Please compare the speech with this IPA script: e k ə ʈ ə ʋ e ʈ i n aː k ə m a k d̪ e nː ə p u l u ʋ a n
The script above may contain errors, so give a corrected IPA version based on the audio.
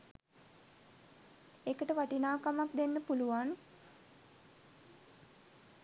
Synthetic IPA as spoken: e k ə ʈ ə ʋ a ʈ i n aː k a m a k d̪ e nː ə p u l u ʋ a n